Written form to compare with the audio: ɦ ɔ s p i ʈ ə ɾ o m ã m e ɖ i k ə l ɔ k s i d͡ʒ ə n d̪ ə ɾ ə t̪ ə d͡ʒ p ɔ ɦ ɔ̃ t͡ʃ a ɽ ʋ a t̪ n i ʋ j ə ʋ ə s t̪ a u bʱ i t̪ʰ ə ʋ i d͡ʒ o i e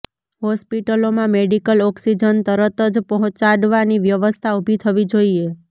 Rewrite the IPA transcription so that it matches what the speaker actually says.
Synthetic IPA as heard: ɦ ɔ s p i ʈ ə l o m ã m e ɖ i k ə l ɔ k s i d͡ʒ ə n t̪ ə ɾ ə t̪ ə d͡ʒ p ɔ ɦ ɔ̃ t͡ʃ a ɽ ʋ a n i ʋ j ə ʋ ə s t̪ʰ a u bʱ i t̪ʰ ə ʋ i d͡ʒ o i e